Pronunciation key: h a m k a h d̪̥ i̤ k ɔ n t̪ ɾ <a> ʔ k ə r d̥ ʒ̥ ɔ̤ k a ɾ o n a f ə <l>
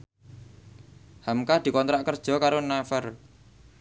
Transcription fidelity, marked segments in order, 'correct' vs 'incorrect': correct, incorrect

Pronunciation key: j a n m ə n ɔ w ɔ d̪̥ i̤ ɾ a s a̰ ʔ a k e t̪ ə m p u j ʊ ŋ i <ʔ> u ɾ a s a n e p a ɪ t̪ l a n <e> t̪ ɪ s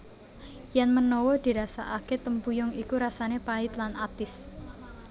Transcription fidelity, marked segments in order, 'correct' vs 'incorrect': incorrect, incorrect

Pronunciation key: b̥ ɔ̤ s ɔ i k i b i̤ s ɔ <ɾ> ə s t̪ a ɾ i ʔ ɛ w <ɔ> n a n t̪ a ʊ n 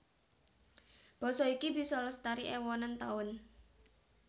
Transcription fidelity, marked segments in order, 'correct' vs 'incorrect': incorrect, correct

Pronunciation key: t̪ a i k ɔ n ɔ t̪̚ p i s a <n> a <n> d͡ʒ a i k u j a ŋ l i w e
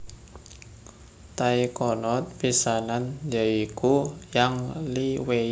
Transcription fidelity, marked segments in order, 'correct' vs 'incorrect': correct, correct

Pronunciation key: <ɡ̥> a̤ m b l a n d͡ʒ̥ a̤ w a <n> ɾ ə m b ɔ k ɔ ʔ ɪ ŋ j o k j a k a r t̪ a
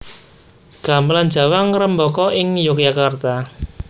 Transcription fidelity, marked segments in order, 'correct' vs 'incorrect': correct, incorrect

